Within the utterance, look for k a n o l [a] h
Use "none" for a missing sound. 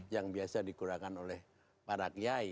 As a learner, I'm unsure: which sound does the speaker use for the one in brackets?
ɛ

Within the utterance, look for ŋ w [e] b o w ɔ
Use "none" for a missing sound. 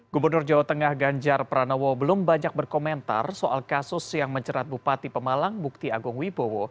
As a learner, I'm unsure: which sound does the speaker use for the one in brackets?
i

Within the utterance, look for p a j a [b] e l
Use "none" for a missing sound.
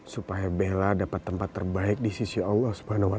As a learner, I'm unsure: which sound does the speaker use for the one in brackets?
b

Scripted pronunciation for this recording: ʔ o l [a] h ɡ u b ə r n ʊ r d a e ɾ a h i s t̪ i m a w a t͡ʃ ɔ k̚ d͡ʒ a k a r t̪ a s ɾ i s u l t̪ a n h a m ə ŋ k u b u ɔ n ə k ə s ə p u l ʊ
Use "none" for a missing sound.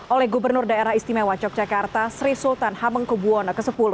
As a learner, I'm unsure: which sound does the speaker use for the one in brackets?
ɛ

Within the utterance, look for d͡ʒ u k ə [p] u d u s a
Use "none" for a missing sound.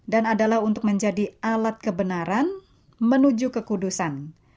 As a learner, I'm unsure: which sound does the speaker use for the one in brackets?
k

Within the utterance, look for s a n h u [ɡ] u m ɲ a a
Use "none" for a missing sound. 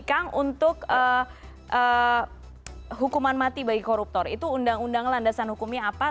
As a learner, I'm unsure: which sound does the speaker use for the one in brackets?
k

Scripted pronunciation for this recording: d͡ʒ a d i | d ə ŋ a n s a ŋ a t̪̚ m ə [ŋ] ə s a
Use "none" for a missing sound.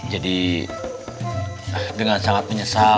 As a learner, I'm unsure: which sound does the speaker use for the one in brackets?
ɲ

